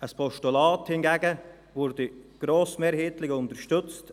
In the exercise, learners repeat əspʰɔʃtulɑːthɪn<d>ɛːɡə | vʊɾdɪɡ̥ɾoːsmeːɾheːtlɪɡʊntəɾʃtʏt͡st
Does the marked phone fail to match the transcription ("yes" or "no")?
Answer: yes